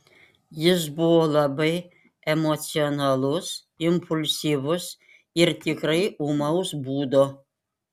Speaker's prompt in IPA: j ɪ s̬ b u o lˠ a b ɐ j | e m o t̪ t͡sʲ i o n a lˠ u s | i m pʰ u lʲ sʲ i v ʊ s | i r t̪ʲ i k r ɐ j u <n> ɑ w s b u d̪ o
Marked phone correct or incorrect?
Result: incorrect